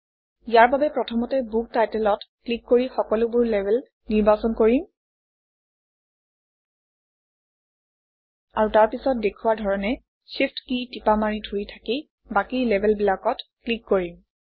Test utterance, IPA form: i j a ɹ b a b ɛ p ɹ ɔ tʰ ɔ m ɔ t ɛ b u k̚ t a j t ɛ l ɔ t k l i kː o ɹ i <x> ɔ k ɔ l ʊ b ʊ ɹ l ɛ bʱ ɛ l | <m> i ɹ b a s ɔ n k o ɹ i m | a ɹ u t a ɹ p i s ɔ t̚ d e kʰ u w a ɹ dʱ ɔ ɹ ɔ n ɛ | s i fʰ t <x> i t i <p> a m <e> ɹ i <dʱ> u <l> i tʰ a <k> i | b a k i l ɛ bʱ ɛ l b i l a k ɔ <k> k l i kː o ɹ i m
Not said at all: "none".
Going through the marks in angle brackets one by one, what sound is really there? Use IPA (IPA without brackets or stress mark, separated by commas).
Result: x, n, k, p, a, dʱ, ɹ, k, t